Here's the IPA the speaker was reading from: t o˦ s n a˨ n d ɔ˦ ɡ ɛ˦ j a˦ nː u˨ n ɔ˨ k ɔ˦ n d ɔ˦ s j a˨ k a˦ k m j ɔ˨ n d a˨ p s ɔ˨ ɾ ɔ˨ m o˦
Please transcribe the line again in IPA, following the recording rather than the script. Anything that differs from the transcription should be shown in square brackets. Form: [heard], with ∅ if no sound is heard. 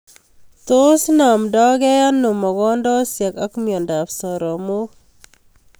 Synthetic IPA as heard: t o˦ s n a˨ [m] d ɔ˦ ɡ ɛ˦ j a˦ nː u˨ [m] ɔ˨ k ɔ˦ n d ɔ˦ s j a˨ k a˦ k m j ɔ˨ n d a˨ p s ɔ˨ ɾ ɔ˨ m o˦